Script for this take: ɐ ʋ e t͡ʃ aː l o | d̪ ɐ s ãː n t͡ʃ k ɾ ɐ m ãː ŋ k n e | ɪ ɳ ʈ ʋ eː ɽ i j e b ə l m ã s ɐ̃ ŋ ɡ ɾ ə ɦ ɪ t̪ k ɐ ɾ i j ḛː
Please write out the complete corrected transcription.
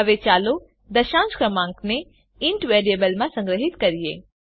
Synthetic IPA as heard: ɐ ʋ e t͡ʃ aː l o | d̪ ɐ ʃ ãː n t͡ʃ k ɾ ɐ m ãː ŋ k n e | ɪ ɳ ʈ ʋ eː ɾ i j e b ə l m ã s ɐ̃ ŋ ɡ ɾ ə ɦ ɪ t̪ k ɐ ɾ i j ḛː